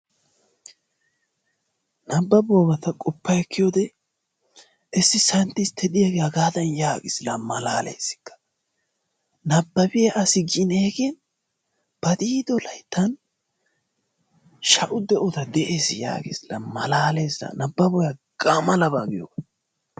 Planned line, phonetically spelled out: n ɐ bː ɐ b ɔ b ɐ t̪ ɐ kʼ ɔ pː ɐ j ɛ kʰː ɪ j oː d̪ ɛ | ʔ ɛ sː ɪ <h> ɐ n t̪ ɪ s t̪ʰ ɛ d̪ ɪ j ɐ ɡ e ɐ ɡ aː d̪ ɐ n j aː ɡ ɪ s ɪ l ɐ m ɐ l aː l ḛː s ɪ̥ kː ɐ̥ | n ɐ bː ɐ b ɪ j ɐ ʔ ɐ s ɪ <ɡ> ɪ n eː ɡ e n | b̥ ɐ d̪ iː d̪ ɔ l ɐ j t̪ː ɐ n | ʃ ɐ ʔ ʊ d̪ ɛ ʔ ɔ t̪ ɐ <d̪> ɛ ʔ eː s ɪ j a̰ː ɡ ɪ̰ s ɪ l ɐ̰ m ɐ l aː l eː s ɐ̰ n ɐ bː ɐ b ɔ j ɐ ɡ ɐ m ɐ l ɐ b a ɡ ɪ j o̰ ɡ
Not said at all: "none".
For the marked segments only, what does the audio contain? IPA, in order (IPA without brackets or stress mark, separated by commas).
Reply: s, ɡ, d̪